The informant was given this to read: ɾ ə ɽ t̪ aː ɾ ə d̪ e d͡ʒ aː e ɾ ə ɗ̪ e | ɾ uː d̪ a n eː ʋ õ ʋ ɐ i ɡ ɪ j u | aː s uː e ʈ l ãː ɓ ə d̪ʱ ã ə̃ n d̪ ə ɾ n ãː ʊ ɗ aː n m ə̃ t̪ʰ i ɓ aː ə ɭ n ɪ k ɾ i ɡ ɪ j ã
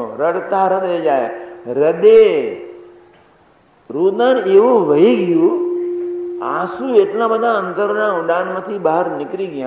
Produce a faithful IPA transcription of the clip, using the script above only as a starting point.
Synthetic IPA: ɾ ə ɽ t̪ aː ɾ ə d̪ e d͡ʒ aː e ɾ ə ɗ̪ e | ɾ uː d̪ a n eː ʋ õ ʋ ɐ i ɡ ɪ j u | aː s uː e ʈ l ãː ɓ ə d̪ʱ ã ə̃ n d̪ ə ɾ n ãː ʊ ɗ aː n m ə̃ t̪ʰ i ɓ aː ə ɾ n ɪ k ɾ i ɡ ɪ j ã